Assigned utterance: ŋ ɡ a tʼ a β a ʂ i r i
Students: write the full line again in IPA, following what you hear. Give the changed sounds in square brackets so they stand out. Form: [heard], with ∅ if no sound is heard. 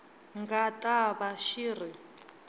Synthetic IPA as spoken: ŋ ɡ a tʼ a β a [ʃ] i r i

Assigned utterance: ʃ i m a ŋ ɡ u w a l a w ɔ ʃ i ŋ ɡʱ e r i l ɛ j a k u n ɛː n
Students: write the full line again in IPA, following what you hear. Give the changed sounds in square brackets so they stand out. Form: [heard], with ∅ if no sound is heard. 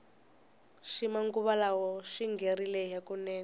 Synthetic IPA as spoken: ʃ i m a ŋ ɡ u [β] a l a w ɔ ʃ i ŋ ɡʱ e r i l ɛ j a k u n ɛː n

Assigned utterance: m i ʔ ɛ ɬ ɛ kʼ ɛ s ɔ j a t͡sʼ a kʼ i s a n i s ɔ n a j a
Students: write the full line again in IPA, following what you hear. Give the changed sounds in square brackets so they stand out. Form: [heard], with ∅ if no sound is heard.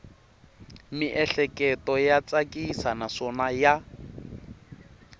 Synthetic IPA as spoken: m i ʔ ɛ ɬ ɛ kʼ ɛ [t] ɔ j a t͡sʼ a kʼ i s a n [a] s ɔ n a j a

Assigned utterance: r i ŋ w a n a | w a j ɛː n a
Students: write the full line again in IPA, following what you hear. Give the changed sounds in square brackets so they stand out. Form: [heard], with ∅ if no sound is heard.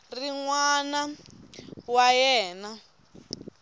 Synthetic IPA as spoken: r i ŋ w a n a | w a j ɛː n a

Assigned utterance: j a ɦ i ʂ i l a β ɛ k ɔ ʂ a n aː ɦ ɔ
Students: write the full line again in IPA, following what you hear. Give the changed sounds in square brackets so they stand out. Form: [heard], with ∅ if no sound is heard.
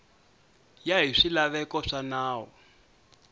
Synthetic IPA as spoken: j a ɦ i ʂ i l a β ɛ k ɔ ʂ a n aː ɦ ɔ

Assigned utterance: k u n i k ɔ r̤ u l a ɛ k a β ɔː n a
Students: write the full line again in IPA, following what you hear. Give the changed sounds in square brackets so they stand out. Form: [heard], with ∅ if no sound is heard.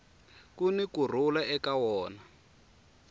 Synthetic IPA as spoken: k u n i k [u] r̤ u l a ɛ k a [w] ɔː n a

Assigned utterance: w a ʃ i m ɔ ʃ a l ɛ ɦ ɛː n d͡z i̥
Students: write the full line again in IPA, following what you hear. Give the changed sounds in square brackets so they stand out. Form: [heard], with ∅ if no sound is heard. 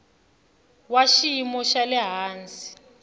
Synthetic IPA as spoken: w a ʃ i m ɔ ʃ a l ɛ ɦ [aː] n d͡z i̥

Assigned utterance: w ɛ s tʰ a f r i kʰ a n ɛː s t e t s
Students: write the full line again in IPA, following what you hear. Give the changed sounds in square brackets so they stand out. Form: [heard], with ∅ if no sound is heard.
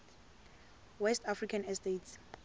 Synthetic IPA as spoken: w ɛ s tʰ a f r i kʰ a n [ɛ] s t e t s

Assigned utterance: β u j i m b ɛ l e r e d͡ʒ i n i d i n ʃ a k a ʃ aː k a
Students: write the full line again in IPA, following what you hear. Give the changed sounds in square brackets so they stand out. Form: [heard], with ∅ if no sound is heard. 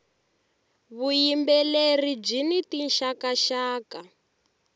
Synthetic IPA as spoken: β u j i m b ɛ l e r [i] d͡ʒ i n i [t] i n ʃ a k a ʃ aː k a

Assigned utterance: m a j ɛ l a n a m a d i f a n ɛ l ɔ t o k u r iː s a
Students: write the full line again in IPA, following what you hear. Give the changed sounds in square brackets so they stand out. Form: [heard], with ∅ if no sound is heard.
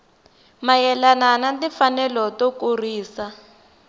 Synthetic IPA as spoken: m a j ɛ l a n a [n] a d i f a n ɛ l ɔ t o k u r iː s a

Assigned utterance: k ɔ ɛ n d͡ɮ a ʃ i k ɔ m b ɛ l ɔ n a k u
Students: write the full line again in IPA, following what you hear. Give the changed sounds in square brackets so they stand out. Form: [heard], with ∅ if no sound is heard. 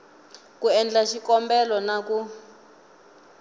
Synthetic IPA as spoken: k [u] ɛ n d͡ɮ a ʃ i k ɔ m b ɛ l ɔ n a k u

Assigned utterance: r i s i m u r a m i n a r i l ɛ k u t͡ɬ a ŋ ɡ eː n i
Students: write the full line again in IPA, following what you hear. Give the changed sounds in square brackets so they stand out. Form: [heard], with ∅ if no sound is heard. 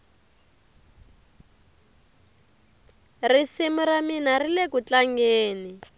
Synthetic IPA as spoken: r i s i m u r a m i n a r i l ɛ k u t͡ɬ a ŋ ɡ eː n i

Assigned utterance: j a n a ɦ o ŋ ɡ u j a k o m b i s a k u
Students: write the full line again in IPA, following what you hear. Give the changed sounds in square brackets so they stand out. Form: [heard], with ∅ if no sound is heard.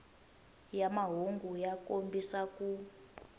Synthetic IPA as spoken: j a [m] a ɦ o ŋ ɡ u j a k o m b i s a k u

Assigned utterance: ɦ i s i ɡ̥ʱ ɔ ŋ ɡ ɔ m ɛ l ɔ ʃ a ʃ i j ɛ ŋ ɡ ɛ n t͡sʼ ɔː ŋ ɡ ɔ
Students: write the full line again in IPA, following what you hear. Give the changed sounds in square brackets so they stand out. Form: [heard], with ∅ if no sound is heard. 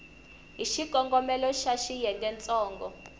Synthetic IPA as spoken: ɦ i [ʃ] i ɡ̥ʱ ɔ ŋ ɡ ɔ m ɛ l ɔ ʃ a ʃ i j ɛ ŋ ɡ ɛ n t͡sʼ ɔː ŋ ɡ ɔ

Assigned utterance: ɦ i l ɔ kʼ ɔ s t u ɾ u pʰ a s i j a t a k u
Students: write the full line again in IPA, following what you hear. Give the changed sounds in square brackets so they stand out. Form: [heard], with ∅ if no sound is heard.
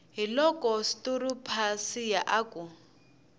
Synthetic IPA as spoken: ɦ i l ɔ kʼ ɔ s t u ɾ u pʰ a s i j a [ʔ] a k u

